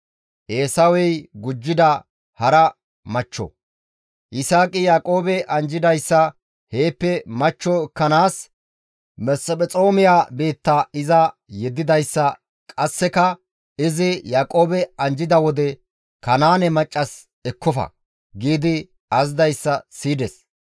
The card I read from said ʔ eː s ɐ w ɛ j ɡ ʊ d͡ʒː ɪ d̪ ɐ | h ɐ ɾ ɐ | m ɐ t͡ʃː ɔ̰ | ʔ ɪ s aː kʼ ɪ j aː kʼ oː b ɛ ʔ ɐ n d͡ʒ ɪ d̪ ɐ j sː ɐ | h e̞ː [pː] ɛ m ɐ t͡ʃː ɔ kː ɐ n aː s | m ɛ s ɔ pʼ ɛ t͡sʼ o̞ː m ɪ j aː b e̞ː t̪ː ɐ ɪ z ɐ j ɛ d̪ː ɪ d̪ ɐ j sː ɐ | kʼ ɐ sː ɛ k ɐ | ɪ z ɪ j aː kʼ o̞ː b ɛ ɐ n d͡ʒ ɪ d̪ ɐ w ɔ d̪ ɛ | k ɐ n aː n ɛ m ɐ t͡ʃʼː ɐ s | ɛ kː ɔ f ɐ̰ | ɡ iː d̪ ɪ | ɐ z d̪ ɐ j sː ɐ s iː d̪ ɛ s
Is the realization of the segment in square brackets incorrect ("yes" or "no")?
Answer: no